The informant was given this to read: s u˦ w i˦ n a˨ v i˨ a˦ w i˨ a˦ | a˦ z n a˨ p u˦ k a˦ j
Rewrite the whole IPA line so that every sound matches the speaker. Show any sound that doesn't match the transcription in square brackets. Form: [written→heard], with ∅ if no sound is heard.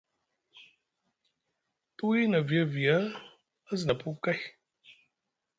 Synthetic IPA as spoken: [s→t] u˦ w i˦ n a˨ v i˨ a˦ [w→v] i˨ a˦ | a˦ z n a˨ p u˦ k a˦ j